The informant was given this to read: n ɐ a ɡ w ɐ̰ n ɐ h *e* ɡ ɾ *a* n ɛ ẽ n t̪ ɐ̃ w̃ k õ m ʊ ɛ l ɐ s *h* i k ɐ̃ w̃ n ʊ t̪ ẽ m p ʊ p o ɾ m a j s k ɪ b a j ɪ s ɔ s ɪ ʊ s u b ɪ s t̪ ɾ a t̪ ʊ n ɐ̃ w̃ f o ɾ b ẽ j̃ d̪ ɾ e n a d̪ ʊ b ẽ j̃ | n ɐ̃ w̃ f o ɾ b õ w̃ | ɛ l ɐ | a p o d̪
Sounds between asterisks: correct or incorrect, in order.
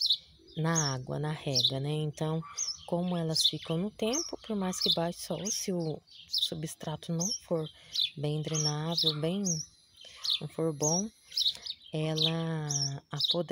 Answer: incorrect, incorrect, incorrect

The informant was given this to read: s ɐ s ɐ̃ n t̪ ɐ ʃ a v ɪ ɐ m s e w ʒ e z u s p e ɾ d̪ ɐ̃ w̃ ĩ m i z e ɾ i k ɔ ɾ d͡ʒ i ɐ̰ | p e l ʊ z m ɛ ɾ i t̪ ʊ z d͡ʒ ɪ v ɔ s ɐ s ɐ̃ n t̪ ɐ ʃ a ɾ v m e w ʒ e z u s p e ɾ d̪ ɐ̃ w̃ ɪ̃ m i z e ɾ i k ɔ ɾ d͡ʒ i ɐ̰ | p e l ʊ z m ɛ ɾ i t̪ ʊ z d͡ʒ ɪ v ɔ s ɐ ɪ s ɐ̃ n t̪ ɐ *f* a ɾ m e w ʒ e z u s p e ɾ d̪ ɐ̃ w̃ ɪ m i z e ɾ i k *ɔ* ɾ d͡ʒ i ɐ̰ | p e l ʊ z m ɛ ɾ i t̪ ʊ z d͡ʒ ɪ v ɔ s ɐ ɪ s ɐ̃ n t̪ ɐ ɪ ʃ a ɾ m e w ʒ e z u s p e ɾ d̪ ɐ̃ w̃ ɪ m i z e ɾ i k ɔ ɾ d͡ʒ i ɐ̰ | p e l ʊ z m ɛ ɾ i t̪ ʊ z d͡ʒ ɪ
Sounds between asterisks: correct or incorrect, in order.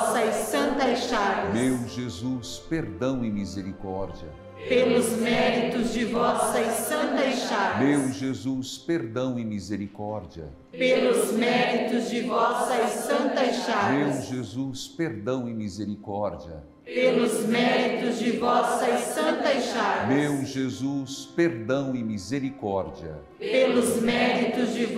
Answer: incorrect, correct

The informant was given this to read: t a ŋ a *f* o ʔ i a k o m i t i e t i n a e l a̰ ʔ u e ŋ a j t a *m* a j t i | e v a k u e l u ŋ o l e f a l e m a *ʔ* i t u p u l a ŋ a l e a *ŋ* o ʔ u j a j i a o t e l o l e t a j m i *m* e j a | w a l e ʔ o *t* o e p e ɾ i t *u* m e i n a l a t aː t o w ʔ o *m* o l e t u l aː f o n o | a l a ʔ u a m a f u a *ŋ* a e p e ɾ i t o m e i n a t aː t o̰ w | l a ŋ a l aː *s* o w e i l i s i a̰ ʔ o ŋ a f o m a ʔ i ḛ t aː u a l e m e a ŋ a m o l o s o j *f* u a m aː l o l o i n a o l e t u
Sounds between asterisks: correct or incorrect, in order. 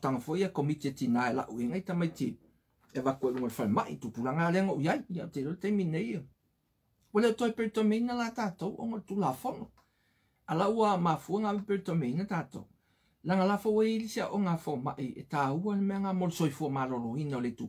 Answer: correct, correct, correct, correct, incorrect, correct, incorrect, incorrect, correct, incorrect, correct

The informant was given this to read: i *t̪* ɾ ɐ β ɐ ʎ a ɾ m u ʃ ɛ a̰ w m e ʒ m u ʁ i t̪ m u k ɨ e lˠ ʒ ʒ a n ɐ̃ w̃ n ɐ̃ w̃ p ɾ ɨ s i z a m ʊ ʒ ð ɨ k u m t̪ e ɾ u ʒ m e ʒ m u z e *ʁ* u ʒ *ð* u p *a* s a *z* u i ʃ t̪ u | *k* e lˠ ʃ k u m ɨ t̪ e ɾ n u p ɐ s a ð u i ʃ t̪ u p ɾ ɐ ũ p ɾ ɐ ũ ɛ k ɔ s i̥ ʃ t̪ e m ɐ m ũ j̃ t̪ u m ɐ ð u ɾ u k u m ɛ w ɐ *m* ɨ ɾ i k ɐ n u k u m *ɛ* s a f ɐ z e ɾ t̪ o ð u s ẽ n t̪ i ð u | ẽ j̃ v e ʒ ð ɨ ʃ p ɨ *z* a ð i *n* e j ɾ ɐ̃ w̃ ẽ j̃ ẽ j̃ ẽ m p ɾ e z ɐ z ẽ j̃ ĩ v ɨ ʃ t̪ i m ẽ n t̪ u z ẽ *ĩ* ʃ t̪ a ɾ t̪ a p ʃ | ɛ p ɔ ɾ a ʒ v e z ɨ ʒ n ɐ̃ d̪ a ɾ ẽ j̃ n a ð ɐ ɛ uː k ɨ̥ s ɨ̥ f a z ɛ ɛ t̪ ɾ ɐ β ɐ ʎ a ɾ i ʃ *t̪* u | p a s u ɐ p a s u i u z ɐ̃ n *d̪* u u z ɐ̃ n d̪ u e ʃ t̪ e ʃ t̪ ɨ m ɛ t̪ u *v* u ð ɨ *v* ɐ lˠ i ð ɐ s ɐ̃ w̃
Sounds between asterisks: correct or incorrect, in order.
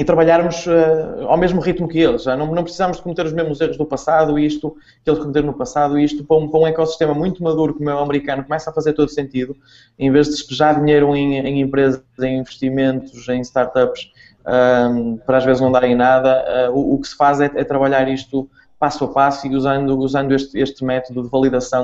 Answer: correct, correct, correct, incorrect, incorrect, correct, correct, correct, incorrect, incorrect, incorrect, correct, correct, incorrect, correct

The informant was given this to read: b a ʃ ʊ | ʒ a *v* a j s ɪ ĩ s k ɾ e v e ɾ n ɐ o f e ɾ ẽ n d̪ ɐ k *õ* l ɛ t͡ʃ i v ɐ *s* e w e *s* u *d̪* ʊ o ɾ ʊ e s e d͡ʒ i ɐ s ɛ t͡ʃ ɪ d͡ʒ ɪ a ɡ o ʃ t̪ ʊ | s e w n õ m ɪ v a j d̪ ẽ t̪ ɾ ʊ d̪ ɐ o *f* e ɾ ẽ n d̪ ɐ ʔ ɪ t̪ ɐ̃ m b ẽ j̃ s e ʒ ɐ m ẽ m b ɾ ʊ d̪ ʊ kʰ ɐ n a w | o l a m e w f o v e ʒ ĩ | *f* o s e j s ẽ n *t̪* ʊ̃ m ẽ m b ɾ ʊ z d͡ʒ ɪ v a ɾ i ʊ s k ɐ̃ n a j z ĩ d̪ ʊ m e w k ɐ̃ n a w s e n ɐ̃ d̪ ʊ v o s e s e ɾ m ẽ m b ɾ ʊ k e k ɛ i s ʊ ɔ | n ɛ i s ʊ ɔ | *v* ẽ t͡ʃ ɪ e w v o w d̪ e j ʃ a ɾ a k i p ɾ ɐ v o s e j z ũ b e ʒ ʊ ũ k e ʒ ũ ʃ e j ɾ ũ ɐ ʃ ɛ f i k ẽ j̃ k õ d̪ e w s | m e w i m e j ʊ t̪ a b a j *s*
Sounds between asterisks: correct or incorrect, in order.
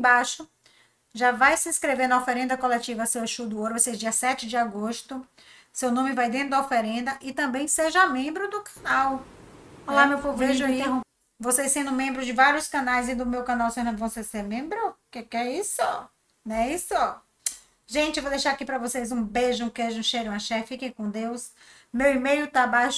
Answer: correct, incorrect, correct, incorrect, correct, correct, incorrect, incorrect, incorrect, incorrect

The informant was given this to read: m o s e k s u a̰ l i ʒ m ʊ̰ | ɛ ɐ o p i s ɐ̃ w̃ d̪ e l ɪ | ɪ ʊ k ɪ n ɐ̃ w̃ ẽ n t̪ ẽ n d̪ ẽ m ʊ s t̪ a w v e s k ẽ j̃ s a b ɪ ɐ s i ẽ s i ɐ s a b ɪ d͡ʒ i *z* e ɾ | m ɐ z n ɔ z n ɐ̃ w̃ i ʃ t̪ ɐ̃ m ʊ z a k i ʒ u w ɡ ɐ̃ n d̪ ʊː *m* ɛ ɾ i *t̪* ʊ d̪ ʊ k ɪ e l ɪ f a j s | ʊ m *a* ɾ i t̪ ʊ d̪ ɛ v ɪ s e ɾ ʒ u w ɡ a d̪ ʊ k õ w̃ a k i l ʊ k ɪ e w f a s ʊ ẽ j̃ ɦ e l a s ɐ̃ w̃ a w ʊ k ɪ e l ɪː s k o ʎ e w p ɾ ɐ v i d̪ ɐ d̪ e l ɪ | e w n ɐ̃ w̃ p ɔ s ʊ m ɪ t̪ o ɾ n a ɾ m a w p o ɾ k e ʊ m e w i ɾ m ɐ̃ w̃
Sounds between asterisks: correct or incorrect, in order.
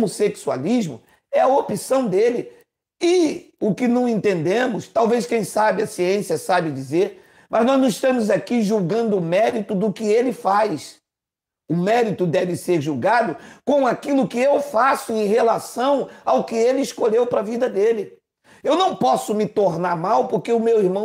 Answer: correct, correct, correct, incorrect

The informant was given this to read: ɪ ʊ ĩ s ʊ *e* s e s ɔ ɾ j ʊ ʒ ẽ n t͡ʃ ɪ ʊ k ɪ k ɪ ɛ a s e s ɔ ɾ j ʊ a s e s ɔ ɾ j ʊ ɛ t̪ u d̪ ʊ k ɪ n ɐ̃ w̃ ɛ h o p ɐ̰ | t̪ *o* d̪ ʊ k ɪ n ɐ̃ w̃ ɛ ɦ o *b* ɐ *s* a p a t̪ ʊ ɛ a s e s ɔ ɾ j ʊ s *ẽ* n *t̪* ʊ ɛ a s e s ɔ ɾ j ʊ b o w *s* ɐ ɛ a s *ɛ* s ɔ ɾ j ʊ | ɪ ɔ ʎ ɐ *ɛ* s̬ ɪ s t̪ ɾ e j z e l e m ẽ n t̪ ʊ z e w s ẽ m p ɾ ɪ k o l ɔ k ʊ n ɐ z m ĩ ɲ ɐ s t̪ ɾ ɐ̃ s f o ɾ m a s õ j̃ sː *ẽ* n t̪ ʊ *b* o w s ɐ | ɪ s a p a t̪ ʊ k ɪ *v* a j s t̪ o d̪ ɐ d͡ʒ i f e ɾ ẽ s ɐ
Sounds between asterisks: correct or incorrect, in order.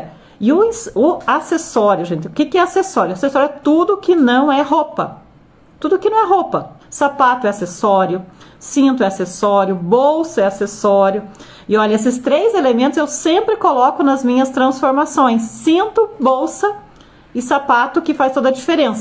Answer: incorrect, incorrect, incorrect, correct, incorrect, correct, correct, incorrect, incorrect, incorrect, correct, incorrect

